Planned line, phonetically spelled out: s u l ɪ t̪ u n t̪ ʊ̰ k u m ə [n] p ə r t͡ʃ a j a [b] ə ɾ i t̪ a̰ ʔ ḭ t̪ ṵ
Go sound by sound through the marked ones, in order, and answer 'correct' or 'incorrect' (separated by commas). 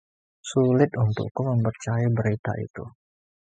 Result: incorrect, correct